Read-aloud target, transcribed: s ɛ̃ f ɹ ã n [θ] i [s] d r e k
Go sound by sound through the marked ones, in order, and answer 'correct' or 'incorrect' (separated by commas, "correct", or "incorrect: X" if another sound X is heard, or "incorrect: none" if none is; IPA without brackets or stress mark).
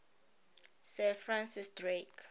incorrect: s, correct